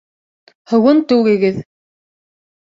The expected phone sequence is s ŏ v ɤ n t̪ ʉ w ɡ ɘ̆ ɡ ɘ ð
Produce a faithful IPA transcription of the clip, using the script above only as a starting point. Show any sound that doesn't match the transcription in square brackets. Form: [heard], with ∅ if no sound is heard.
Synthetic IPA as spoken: [h] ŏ [w] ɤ n t̪ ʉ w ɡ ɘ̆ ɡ ɘ ð